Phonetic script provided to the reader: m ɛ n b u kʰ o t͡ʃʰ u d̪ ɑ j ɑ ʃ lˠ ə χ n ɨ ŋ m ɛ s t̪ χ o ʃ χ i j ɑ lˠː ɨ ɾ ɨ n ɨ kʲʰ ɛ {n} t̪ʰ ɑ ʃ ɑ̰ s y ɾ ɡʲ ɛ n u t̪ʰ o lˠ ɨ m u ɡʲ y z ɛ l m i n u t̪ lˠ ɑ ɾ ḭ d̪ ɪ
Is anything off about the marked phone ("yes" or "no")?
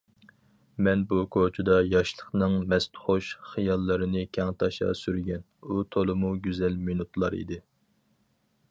yes